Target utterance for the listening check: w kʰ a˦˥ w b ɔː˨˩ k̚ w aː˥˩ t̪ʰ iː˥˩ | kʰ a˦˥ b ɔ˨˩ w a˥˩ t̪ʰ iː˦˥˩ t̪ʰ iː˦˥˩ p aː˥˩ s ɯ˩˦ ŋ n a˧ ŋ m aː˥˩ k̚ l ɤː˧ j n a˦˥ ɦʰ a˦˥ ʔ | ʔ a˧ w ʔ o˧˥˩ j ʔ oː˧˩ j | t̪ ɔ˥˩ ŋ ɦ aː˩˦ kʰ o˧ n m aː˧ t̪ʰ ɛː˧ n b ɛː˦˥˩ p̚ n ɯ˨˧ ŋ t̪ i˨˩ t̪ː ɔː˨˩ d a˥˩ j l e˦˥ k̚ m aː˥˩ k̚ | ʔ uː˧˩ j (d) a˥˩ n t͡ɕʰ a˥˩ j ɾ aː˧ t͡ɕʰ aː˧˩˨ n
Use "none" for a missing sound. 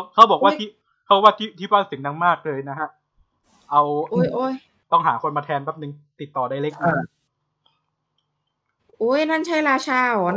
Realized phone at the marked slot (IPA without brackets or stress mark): n